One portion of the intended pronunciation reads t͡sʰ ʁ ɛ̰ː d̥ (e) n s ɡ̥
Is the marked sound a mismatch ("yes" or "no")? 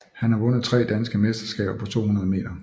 yes